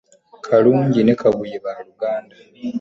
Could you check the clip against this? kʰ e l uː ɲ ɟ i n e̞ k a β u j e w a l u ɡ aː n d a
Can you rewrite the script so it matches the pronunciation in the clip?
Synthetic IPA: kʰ a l uː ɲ ɟ i n e̞ k a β u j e β a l u ɡ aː n d a